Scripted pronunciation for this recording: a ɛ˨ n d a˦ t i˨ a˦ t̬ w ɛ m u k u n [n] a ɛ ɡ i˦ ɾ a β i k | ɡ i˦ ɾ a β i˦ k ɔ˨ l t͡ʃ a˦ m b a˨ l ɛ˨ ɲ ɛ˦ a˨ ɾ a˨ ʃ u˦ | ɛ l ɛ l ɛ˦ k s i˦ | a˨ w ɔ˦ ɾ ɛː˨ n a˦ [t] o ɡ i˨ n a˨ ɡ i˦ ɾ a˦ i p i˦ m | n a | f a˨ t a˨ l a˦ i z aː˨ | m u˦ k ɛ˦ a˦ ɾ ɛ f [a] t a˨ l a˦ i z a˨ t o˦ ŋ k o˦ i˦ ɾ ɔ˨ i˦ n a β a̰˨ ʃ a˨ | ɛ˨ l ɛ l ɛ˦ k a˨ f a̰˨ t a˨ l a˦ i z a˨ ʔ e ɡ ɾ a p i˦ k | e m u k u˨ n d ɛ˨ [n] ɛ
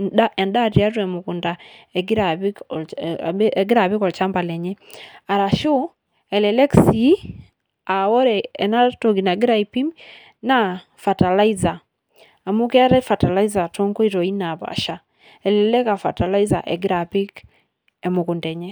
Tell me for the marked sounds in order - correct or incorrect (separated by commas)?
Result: incorrect, correct, correct, incorrect